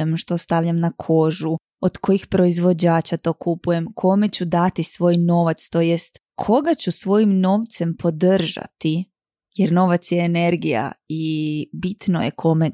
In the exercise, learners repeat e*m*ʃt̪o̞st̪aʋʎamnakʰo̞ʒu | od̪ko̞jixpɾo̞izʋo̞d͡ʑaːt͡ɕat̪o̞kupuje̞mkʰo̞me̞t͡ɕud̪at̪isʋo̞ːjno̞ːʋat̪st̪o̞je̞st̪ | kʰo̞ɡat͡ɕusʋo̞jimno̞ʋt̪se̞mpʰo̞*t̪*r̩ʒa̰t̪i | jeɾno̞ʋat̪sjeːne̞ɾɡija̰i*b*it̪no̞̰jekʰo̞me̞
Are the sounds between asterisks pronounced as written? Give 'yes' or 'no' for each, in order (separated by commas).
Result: yes, no, yes